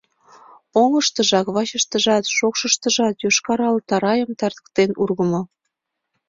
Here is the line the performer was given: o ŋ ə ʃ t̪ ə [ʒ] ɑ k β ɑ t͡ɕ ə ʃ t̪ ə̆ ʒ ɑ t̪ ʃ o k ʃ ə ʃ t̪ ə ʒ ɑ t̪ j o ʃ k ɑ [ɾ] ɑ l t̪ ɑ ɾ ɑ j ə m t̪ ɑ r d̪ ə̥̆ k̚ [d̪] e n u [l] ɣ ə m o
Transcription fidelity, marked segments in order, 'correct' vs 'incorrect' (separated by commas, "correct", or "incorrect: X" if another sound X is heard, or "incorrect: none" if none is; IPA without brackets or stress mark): correct, correct, incorrect: t̪, incorrect: r